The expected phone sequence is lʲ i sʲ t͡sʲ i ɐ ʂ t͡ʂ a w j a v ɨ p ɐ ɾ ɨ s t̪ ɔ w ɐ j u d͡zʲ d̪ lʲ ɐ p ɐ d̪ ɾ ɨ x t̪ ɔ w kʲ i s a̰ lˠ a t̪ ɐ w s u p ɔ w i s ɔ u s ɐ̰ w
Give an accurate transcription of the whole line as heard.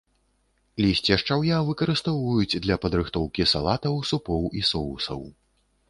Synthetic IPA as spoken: lʲ i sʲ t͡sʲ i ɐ ʂ t͡ʂ a w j a v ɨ k ɐ ɾ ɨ s t̪ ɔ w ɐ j u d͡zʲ d̪ lʲ ɐ p ɐ d̪ ɾ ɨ x t̪ ɔ w kʲ i s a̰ lˠ a t̪ ɐ w s u p ɔ w i s ɔ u s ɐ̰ w